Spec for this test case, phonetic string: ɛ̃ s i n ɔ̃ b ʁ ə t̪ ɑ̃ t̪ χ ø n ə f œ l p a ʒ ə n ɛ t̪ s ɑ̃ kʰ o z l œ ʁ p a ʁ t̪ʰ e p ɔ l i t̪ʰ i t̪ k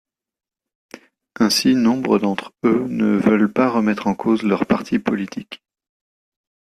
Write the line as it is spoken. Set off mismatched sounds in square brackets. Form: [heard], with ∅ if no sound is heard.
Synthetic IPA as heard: ɛ̃ s i n ɔ̃ b ʁ ə [d̪] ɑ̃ t̪ χ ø n ə [v] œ l p a [ʁ] ə [m] ɛ t̪ [χ] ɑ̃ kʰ o z l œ ʁ p a ʁ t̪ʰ [i] p ɔ l i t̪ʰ i [∅] k